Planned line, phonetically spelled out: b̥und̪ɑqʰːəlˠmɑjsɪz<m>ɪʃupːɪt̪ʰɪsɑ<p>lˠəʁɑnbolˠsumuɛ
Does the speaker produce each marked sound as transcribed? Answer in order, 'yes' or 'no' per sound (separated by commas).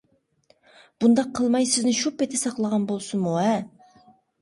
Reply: no, no